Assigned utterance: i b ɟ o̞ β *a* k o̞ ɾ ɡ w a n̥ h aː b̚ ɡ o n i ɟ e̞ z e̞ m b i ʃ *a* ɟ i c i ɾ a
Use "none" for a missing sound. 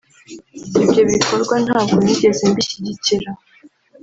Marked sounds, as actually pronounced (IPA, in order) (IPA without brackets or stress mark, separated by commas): i, i